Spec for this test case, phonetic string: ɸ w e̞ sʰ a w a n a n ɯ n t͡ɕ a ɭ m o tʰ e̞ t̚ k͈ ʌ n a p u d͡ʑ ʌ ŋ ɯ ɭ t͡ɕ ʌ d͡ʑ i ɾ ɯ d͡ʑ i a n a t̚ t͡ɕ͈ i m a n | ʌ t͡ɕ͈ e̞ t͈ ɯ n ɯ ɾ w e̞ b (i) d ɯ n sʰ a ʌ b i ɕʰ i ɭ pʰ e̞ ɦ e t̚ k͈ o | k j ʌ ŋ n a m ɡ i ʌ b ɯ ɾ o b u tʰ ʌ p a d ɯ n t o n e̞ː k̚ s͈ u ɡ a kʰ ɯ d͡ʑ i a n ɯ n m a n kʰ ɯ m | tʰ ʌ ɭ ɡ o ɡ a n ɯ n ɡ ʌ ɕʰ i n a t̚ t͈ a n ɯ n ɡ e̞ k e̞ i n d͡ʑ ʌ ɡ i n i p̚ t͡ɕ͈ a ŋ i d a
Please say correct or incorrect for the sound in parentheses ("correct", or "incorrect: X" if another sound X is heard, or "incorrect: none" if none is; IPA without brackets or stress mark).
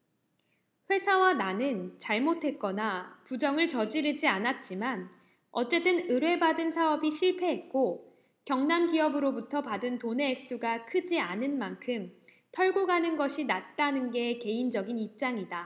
incorrect: a